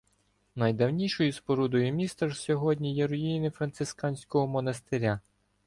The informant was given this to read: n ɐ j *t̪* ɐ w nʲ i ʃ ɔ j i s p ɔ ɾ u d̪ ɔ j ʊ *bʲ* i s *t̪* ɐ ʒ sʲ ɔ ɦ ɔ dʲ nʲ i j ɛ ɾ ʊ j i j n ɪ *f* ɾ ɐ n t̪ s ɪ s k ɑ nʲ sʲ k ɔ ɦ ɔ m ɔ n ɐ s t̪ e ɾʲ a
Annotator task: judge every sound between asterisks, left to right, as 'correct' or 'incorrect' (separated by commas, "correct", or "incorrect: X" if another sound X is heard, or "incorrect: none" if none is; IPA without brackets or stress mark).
incorrect: d̪, incorrect: mʲ, correct, correct